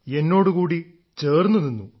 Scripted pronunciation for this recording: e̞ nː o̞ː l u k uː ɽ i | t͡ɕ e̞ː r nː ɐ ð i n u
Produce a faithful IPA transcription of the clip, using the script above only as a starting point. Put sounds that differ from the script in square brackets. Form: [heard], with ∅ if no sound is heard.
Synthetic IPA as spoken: e̞ nː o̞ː [ɽ] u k uː ɽ i | t͡ɕ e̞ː r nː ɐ ð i [nː] u

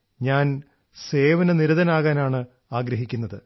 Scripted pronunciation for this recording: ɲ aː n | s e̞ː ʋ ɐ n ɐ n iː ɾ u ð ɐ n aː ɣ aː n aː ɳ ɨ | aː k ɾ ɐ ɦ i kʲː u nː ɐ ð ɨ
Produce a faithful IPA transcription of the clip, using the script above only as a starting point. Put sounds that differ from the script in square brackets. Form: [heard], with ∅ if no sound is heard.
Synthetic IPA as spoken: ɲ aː n | s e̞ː ʋ ɐ n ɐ n [i] ɾ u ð ɐ n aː ɣ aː n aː ɳ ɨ | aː [ɡ] ɾ ɐ ɦ i kʲː u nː ɐ ð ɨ

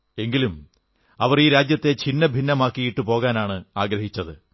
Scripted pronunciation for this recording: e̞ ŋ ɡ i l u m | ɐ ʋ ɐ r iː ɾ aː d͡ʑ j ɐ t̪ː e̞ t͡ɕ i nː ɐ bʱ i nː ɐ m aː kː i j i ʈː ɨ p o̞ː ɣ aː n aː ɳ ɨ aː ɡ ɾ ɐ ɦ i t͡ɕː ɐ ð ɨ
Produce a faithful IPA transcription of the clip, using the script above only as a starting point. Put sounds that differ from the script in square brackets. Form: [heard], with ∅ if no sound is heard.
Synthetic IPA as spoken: e̞ ŋ ɡ i l u m | ɐ ʋ ɐ r iː ɾ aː d͡ʑ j ɐ t̪ː e̞ t͡ɕ i nː ɐ bʱ i nː ɐ m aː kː i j i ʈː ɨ p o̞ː ɣ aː n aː ɳ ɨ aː ɡ ɾ ɐ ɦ i t͡ɕː ɐ ð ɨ

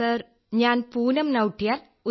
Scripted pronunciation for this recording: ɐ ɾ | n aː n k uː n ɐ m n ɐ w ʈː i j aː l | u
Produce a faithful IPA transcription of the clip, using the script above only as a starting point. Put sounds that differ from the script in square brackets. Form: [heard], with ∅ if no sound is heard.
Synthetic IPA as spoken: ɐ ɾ | [ɲ] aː n [p] uː n ɐ m n ɐ w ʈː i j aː l | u

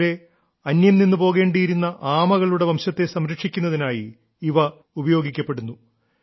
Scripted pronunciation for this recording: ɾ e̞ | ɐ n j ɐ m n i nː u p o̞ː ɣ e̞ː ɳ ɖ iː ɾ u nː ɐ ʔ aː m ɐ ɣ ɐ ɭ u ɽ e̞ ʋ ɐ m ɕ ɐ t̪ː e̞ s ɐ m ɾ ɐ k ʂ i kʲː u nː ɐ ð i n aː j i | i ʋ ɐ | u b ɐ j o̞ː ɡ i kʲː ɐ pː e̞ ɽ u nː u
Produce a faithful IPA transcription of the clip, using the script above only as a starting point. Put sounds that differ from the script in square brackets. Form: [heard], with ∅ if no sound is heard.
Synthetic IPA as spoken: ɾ e̞ | ɐ n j ɐ m n i nː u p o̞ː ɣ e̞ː ɳ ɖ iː ɾ u nː ɐ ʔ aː m ɐ ɣ ɐ ɭ u ɽ e̞ ʋ ɐ m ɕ ɐ t̪ː e̞ s ɐ m ɾ ɐ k ʂ i kʲː u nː ɐ ð i n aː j i | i ʋ ɐ | u b ɐ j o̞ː ɡ i kʲː ɐ pː e̞ ɽ u nː u

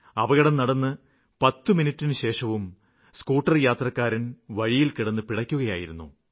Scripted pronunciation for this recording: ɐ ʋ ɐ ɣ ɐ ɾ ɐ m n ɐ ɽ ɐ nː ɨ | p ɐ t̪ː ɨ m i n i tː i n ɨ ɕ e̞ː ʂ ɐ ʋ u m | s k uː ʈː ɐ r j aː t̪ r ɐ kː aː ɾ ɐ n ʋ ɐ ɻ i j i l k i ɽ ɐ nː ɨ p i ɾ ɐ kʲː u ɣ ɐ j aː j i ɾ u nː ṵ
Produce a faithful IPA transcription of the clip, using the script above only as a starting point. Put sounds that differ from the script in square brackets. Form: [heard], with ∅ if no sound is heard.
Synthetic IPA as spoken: ɐ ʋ ɐ ɣ ɐ [ɽ] ɐ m n ɐ ɽ ɐ nː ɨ | p ɐ t̪ː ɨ m i n i tː i n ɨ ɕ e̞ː ʂ ɐ ʋ u m | s k uː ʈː ɐ r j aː t̪ r ɐ kː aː ɾ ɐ n ʋ ɐ ɻ i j i l k i ɽ ɐ nː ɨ p i [ɽ] ɐ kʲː u ɣ ɐ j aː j i ɾ u nː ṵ

